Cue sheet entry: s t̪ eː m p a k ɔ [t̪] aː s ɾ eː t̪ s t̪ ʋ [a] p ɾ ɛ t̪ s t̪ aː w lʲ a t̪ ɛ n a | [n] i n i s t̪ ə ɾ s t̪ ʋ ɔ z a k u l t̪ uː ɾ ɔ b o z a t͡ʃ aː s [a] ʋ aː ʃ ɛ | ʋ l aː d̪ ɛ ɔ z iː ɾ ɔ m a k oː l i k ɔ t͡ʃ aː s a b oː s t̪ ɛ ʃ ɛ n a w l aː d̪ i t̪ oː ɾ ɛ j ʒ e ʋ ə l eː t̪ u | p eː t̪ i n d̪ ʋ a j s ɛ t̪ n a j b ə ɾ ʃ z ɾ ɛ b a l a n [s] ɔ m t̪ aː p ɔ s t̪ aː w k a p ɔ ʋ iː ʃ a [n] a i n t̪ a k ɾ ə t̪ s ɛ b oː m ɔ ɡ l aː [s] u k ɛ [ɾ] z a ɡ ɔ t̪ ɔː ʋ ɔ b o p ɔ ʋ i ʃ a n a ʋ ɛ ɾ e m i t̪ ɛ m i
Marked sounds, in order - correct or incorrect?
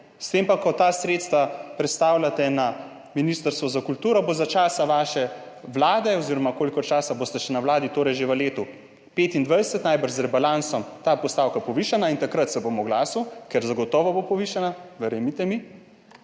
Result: correct, correct, incorrect: m, correct, correct, correct, correct, correct

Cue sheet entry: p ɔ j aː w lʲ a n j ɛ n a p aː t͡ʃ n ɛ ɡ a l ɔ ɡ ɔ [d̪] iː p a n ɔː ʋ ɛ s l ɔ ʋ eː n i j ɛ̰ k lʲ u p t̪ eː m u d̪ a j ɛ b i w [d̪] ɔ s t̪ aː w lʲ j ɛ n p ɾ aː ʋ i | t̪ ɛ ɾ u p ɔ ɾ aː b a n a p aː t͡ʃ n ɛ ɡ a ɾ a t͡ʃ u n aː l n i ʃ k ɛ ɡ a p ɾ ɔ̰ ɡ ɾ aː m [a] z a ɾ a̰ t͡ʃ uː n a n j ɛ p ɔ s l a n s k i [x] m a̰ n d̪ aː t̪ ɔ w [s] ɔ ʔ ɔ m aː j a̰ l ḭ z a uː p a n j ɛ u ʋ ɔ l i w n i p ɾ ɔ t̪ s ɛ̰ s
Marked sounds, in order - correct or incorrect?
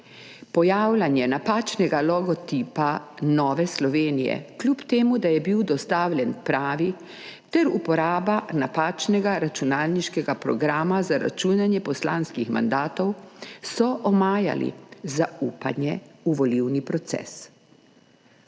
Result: incorrect: t̪, correct, correct, correct, correct

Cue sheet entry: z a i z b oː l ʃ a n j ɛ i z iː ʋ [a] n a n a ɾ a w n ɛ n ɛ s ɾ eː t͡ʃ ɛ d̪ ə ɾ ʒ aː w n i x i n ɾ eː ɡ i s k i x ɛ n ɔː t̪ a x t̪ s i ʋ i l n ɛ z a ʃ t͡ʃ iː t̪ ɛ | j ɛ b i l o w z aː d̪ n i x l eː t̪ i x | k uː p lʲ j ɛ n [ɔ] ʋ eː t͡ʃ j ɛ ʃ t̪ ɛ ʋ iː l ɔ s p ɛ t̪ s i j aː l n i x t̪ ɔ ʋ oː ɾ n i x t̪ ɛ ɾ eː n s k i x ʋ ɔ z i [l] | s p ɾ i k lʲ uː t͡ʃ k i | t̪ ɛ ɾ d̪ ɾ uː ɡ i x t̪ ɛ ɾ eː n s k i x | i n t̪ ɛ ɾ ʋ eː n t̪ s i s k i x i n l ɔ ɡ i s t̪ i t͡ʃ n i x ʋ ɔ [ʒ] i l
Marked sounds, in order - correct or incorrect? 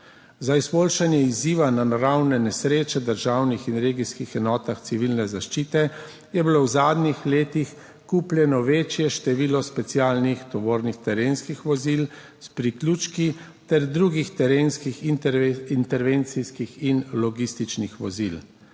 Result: correct, correct, correct, incorrect: z

